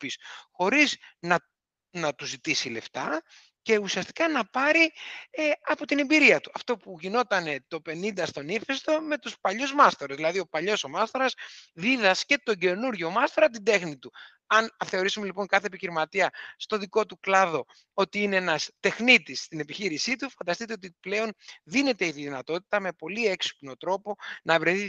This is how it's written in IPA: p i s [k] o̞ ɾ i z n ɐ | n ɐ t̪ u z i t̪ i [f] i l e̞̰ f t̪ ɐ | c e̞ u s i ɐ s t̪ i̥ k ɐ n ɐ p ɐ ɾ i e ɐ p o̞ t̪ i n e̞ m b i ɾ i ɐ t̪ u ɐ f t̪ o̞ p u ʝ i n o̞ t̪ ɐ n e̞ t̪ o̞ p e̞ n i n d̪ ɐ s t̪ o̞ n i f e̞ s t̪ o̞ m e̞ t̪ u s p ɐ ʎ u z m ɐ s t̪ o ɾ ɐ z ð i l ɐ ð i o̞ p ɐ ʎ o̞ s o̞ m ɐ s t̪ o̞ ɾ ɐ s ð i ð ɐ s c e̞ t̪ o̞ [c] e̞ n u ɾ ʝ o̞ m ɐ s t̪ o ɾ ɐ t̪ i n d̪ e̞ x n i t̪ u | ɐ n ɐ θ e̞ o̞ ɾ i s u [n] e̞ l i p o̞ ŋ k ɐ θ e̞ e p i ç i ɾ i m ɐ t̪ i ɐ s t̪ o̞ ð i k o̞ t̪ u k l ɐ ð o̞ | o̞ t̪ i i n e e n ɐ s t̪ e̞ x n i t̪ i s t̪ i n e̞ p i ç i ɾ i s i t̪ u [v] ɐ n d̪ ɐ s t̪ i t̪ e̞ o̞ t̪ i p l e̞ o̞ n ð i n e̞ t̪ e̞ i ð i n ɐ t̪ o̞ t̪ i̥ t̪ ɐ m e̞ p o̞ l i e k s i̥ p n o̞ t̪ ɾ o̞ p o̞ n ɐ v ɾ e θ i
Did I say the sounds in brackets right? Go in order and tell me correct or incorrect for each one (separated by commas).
incorrect, incorrect, incorrect, incorrect, incorrect